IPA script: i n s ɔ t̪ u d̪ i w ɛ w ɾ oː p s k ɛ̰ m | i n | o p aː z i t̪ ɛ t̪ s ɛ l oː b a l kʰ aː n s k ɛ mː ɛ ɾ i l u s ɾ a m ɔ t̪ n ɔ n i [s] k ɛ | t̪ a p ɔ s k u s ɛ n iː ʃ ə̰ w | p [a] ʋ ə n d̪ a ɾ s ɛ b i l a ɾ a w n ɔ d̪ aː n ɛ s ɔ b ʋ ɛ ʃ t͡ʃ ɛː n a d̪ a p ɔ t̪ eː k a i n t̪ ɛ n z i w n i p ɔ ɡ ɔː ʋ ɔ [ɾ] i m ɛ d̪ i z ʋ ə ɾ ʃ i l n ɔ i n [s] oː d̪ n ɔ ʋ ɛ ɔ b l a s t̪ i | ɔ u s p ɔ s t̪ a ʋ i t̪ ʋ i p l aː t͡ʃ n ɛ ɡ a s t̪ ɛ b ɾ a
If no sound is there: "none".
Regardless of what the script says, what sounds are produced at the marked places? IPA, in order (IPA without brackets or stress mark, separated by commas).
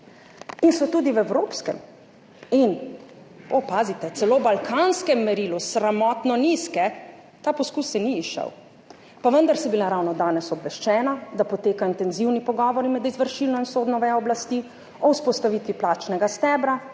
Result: s, a, ɾ, s